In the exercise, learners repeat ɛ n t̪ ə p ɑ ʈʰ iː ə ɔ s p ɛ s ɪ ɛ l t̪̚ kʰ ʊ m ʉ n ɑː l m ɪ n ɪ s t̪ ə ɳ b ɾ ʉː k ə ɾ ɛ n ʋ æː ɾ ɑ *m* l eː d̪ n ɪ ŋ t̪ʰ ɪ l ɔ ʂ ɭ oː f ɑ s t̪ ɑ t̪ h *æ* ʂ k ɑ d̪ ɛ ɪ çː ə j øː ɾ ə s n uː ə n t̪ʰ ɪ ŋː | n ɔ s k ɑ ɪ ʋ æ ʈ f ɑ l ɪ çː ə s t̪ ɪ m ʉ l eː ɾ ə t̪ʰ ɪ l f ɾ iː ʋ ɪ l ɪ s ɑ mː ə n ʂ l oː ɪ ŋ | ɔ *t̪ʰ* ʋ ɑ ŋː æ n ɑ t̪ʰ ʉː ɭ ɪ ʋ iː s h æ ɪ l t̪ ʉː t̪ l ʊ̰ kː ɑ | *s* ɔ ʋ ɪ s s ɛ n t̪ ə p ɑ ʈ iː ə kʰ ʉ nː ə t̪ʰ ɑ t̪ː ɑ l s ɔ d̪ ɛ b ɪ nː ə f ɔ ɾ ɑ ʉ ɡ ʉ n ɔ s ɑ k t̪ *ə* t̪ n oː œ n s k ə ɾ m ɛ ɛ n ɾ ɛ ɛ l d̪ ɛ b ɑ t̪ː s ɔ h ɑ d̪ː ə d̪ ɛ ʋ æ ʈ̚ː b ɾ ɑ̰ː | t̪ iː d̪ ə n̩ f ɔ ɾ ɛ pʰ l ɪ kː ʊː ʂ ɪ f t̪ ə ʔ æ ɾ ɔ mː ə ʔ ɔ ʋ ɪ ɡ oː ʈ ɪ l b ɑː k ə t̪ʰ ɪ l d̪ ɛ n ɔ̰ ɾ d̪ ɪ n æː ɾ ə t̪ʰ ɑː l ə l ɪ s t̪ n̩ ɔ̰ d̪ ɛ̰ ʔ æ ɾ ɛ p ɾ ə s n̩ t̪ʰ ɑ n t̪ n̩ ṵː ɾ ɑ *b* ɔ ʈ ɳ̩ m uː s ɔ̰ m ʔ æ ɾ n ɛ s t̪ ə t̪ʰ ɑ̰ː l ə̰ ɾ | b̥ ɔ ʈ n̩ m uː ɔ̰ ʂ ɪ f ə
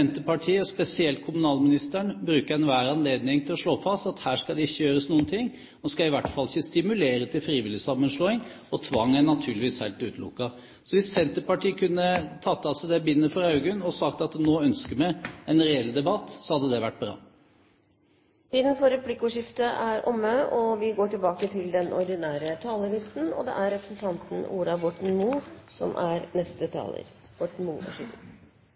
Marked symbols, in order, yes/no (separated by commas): no, no, yes, yes, no, yes